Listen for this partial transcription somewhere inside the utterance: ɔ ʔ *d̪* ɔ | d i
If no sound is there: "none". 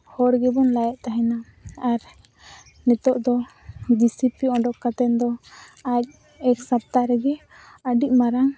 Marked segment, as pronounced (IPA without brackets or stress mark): d̪